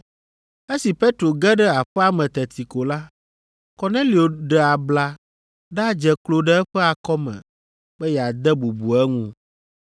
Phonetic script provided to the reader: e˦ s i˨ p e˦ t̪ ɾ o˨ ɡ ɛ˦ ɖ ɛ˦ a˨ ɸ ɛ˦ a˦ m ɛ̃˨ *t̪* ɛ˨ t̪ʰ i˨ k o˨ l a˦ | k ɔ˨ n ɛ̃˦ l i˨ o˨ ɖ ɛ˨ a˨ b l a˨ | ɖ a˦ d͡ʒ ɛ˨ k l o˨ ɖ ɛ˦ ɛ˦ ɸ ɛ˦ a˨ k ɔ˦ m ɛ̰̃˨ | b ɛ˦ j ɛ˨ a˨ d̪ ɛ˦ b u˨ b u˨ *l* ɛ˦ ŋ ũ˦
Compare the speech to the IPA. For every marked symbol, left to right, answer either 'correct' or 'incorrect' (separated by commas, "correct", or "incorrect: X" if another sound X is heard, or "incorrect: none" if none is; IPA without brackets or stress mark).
correct, incorrect: none